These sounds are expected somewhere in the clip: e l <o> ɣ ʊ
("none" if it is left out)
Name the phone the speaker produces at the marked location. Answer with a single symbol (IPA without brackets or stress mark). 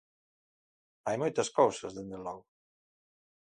ɔ